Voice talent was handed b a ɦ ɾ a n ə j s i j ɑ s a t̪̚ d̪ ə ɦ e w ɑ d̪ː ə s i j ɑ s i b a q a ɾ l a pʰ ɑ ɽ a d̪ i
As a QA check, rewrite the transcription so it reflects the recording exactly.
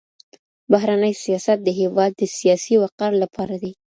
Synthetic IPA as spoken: b a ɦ ɾ a n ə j s i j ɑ s a t̪̚ d̪ ə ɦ e w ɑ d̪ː ə s i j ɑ s i w a q a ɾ l a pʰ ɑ ɾ a d̪ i

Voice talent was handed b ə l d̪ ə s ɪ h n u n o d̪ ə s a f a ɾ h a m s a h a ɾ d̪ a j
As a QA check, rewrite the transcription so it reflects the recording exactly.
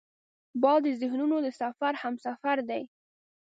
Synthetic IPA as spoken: b ɑ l d̪ ə z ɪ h n u n o d̪ ə s a f a ɾ h a m s a f a ɾ d̪ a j

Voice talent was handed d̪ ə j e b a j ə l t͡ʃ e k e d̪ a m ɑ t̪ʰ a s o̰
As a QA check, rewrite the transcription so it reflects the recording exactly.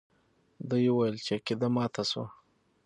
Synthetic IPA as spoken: d̪ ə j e w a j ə l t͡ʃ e k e d̪ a m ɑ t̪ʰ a s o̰

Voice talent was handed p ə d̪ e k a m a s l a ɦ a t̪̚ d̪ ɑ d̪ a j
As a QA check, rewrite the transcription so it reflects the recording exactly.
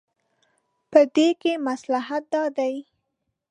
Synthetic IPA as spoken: p ə d̪ e k e m a s l a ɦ a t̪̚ d̪ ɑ d̪ a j

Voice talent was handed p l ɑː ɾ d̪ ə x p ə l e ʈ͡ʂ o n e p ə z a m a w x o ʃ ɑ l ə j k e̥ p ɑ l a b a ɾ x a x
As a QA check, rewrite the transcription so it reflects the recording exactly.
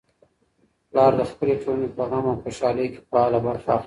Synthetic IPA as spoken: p l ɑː ɾ d̪ ə x p ə l e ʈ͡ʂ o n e p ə ɣ a m a w x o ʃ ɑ l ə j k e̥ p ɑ l a b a ɾ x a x

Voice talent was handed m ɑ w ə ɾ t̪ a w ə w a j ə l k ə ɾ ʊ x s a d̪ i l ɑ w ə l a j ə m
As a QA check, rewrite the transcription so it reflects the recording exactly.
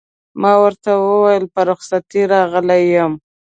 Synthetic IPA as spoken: m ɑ w ə ɾ t̪ a w ə w a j ə l p ə ɾ ʊ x s a t̪ i ɾ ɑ ɣ ə l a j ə m

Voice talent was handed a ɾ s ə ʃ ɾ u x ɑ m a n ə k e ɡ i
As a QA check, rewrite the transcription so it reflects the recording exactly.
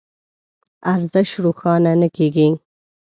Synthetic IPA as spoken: a ɾ z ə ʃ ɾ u x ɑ n a n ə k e ɡ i

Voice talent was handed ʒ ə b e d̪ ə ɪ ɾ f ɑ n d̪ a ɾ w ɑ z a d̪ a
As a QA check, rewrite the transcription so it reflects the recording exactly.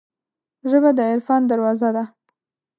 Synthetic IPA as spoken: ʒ ə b a d̪ ə ɪ ɾ f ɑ n d̪ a ɾ w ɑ z a d̪ a

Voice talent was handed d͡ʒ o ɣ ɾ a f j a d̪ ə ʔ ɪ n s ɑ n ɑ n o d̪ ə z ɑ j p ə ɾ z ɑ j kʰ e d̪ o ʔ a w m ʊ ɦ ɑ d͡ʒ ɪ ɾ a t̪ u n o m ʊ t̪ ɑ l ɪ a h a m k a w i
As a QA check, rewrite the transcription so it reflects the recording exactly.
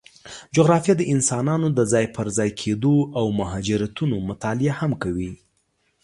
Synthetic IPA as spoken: d͡ʒ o ɣ ɾ ɑ f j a d̪ ə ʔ ɪ n s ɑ n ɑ n o d̪ ə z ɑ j p ə ɾ z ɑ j kʰ e d̪ o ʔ a w m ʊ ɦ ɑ d͡ʒ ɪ ɾ a t̪ u n o m ʊ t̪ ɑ l ɪ a h a m k a w i

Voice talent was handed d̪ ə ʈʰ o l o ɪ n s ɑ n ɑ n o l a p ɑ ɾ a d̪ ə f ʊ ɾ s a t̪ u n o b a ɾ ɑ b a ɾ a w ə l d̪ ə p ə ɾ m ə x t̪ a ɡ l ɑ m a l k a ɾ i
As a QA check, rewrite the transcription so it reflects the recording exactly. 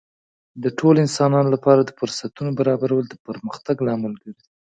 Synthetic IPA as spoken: d̪ ə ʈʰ o l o ɪ n s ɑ n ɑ n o l a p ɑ ɾ a d̪ ə f ʊ ɾ s a t̪ u n o b a ɾ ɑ b a ɾ a w ə l d̪ ə p ə ɾ m ə x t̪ a ɡ l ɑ m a l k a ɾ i

